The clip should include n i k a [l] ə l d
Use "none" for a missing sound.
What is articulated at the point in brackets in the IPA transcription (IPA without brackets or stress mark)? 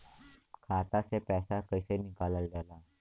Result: l